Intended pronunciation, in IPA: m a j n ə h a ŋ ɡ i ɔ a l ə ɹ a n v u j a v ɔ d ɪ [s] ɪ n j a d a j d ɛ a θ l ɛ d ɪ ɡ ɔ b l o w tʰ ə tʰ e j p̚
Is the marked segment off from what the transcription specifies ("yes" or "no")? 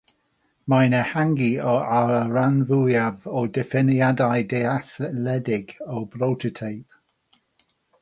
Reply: yes